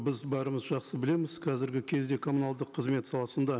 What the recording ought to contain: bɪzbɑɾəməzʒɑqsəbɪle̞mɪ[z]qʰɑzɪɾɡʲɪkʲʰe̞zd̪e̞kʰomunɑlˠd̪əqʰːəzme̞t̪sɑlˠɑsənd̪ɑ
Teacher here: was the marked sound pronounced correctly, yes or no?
yes